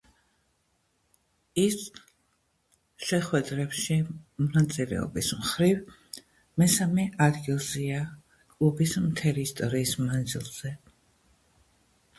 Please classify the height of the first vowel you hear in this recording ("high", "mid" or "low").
high